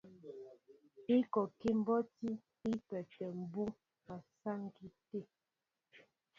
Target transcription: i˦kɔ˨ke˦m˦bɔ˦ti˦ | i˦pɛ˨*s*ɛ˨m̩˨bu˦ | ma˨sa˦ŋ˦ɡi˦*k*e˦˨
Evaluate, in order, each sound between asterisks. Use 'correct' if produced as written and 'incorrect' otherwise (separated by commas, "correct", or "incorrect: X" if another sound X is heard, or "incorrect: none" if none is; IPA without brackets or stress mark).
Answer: incorrect: t, incorrect: t